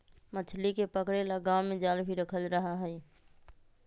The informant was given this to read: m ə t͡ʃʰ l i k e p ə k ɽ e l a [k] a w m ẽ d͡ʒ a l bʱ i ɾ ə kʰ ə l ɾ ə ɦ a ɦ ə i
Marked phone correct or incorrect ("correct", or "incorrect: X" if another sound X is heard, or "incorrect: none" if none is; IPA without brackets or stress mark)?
incorrect: ɡ